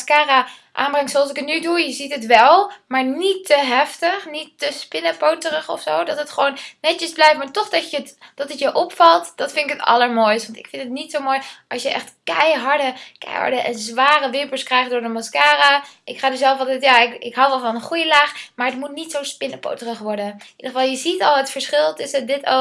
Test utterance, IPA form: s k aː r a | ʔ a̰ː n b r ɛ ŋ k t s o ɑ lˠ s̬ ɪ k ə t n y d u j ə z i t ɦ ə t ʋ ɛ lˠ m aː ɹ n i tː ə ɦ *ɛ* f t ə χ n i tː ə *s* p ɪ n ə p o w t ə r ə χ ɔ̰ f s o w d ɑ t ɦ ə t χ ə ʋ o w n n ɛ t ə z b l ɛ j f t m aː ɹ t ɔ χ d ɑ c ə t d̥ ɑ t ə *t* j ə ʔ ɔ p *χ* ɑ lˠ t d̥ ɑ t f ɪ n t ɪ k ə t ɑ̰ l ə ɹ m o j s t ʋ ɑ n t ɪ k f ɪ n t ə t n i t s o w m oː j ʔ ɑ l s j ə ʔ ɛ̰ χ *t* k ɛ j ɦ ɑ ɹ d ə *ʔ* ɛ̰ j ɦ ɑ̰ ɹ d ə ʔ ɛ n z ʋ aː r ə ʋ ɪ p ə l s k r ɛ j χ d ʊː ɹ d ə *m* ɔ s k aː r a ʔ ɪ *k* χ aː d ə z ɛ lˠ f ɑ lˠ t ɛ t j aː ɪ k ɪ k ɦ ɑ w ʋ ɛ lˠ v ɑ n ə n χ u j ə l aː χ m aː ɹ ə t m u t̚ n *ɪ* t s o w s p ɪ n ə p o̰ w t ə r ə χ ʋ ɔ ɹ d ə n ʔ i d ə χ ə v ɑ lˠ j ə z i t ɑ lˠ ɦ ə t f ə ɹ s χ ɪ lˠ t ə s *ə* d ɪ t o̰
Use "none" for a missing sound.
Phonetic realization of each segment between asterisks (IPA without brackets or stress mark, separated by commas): ɛ, s, t, f, t, k, m, k, i, ə